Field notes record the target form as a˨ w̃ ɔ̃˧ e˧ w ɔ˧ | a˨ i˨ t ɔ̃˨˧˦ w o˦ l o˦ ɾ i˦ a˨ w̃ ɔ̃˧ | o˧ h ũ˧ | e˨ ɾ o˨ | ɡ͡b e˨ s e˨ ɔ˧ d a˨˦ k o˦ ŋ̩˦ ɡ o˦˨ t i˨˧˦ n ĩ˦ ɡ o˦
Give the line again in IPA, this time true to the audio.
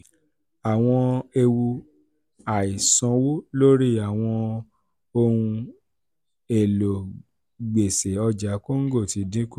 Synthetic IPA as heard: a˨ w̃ ɔ̃˧ e˧ w u˧ | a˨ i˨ s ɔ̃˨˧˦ w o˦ l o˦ ɾ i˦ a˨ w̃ ɔ̃˧ | o˧ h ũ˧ | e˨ l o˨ | ɡ͡b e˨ s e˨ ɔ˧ d͡ʒ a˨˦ k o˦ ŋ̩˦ ɡ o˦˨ t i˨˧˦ d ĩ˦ k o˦

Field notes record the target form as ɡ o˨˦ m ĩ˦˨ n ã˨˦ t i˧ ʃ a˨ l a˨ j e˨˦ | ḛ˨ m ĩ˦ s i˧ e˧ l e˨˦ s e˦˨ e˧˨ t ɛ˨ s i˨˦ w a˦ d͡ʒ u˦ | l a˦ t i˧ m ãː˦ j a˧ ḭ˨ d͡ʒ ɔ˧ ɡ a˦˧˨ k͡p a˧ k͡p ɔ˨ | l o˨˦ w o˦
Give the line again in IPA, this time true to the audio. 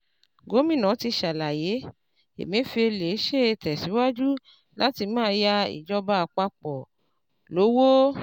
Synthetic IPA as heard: ɡ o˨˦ m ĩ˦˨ n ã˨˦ t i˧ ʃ a˨ l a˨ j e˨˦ | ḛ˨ m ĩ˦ f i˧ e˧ l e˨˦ ʃ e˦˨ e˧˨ t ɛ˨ s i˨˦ w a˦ d͡ʒ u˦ | l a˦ t i˧ m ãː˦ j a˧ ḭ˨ d͡ʒ ɔ˧ b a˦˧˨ k͡p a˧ k͡p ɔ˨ | l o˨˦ w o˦

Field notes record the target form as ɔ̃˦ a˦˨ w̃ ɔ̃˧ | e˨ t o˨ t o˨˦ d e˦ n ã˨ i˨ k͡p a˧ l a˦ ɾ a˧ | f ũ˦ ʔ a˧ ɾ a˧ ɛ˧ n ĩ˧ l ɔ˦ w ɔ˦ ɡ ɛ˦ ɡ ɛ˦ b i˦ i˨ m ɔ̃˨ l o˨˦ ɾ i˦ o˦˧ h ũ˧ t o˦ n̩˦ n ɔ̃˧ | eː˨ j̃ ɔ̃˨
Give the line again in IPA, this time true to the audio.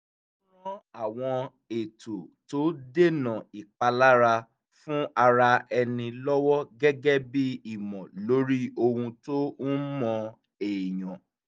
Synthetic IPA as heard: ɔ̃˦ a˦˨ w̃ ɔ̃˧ | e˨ t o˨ t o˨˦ d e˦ n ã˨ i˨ k͡p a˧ l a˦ ɾ a˧ | f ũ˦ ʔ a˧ ɾ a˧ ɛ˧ n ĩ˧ l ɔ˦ w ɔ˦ ɡ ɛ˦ ɡ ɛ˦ b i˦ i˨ m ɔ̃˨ l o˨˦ ɾ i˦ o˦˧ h ũ˧ t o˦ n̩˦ m ɔ̃˧ | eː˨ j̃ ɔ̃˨

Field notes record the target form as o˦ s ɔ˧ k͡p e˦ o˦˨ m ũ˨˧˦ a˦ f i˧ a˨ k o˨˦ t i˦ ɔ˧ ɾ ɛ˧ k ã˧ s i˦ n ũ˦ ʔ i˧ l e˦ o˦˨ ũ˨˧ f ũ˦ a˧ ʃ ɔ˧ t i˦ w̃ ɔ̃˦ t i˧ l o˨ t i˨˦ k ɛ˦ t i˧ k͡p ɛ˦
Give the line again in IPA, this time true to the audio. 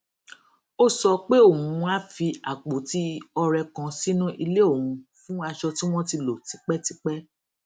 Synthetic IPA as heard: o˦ s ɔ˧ k͡p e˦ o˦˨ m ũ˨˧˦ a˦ f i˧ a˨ k͡p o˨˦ t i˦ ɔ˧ ɾ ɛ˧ k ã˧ s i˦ n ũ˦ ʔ i˧ l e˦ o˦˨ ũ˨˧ f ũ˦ a˧ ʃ ɔ˧ t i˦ w̃ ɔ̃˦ t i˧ l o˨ t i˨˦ k͡p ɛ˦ t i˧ k͡p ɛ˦

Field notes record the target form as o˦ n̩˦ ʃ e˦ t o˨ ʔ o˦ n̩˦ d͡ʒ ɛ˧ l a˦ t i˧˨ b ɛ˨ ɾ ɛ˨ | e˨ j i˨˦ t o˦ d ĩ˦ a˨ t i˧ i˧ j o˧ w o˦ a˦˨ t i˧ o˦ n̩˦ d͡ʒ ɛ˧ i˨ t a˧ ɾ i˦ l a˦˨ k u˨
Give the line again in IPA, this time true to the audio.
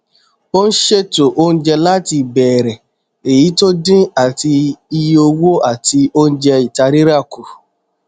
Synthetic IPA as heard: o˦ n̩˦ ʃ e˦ t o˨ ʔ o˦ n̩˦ d͡ʒ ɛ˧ l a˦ t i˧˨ b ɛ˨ ɾ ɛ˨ | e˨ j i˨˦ t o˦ d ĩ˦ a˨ t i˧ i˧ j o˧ w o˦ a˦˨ t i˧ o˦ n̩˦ d͡ʒ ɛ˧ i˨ t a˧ ɾ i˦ ɾ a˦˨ k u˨

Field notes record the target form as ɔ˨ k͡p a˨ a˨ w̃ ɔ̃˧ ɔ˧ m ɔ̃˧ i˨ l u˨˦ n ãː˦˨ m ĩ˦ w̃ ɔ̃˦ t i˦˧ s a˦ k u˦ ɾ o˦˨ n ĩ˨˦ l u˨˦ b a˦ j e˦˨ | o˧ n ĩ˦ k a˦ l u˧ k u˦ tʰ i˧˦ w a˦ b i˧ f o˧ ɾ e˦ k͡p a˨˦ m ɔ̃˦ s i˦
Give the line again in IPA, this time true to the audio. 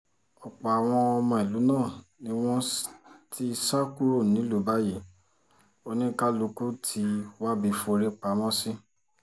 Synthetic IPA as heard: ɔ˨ k͡p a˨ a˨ w̃ ɔ̃˧ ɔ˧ m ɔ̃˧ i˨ l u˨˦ n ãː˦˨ n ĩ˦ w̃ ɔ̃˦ t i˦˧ s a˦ k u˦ ɾ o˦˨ n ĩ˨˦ l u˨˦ b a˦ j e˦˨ | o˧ n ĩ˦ k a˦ l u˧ k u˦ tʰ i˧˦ w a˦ b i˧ f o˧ ɾ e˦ k͡p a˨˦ m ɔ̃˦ s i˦

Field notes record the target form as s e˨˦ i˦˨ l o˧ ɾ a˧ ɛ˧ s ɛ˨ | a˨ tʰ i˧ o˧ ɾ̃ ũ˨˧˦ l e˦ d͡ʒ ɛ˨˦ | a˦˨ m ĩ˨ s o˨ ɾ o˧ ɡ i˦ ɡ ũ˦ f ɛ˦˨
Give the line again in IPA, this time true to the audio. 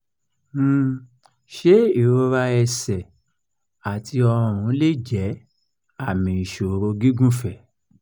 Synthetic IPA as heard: ʃ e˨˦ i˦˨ ɾ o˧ ɾ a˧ ɛ˧ s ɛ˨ | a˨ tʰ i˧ ɔ˧ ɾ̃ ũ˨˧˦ l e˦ d͡ʒ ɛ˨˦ | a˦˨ m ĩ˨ ʃ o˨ ɾ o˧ ɡ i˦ ɡ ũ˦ f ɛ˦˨

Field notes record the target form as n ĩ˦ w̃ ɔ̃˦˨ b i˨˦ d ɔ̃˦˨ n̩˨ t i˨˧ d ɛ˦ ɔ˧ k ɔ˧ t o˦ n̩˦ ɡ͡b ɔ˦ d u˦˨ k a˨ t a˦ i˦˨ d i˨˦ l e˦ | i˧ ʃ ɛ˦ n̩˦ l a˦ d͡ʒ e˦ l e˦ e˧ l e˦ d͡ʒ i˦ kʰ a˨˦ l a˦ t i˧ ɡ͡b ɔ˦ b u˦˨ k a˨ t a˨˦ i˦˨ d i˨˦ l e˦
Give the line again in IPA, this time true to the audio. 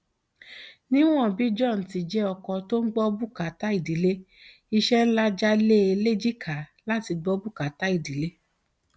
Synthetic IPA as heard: n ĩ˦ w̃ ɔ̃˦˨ b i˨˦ d͡ʒ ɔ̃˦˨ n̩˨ t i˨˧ d͡ʒ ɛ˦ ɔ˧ k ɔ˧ t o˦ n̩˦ ɡ͡b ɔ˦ b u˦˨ k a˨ t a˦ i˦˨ d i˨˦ l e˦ | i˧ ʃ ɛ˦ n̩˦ l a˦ d͡ʒ a˦ l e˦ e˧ l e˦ d͡ʒ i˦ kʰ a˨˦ l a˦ t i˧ ɡ͡b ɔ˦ b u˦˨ k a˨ t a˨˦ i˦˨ d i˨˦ l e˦

